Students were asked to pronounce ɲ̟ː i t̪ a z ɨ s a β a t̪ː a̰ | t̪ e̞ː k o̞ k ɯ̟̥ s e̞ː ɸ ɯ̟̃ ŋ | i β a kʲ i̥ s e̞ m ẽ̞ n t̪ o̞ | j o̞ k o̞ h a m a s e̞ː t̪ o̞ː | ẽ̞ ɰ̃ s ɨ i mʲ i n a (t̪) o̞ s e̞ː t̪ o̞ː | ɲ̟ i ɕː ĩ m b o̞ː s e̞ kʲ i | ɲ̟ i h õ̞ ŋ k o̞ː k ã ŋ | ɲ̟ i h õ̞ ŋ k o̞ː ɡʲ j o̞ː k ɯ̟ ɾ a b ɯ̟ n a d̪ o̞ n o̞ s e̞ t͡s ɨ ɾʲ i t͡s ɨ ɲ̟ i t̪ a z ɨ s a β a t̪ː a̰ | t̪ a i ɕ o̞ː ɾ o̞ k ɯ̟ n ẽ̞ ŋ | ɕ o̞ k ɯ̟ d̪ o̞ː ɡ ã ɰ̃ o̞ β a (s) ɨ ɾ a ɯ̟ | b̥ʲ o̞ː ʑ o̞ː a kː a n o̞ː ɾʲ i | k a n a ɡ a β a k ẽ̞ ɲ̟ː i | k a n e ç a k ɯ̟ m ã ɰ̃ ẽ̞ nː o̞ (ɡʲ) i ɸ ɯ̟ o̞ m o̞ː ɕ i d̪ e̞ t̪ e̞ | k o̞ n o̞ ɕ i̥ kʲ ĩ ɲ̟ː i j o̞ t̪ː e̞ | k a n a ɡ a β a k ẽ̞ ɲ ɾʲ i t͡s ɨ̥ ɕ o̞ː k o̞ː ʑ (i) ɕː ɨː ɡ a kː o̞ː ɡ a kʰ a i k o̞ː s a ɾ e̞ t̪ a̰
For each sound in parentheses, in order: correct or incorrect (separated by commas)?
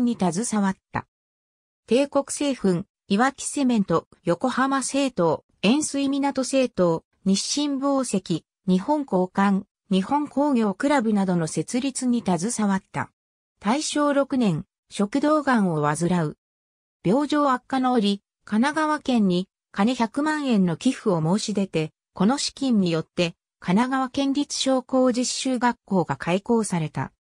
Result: correct, incorrect, incorrect, correct